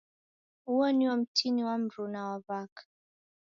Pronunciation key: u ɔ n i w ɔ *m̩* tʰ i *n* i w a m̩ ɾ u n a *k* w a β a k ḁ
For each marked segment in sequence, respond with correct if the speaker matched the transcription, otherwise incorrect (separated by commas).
correct, correct, incorrect